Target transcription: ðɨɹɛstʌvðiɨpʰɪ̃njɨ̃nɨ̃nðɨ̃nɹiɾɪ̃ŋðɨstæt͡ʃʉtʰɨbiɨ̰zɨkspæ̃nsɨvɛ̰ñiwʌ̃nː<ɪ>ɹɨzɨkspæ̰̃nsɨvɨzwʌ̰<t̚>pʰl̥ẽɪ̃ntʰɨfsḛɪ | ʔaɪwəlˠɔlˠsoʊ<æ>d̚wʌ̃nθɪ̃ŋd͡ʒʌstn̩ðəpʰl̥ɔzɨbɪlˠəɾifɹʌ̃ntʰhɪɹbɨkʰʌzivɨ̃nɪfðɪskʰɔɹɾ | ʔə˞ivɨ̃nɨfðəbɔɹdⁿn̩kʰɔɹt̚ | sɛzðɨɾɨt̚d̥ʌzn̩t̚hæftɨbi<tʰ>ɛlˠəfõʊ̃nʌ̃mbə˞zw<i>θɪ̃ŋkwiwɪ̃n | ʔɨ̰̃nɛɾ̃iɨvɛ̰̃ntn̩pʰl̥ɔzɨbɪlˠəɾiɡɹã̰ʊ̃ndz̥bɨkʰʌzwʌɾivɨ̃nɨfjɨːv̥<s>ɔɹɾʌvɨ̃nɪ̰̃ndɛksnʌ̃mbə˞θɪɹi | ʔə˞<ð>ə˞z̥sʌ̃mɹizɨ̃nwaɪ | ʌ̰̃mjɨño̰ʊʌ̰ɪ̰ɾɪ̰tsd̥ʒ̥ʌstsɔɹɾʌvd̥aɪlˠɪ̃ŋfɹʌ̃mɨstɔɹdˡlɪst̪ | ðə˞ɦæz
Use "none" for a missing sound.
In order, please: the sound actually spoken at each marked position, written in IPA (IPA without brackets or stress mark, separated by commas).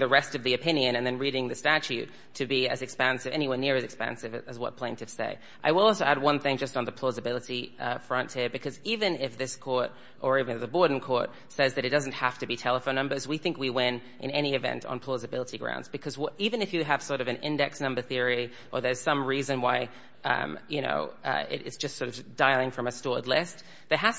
ɪ, t̚, æ, tʰ, i, s, ð